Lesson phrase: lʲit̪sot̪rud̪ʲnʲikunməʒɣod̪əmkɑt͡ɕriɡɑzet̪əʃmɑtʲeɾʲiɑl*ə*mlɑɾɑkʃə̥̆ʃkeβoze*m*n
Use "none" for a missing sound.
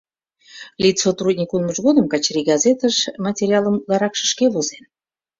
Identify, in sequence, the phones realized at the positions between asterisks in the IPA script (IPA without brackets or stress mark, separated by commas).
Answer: ə, none